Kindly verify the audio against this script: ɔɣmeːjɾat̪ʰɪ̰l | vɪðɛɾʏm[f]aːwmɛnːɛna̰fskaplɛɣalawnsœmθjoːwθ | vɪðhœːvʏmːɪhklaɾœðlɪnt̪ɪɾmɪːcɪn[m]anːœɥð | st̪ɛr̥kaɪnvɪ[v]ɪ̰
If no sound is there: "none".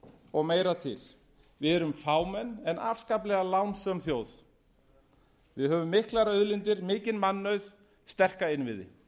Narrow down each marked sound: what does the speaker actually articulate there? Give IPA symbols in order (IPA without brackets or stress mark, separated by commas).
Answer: f, m, ð